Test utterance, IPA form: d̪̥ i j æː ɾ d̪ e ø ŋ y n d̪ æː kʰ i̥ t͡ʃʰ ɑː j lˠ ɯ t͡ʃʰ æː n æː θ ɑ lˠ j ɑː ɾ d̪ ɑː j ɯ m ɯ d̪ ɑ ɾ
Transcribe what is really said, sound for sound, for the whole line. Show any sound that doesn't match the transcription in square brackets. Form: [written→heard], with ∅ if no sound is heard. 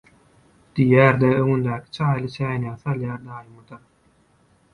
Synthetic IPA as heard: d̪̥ i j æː ɾ d̪ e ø ŋ y n d̪ æː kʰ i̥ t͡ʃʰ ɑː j lˠ ɯ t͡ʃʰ æː n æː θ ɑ lˠ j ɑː ɾ d̪ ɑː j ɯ m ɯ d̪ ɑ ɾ